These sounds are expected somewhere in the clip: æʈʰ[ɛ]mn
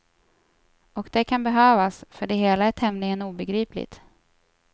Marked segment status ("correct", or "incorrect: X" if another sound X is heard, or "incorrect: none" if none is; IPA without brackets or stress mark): correct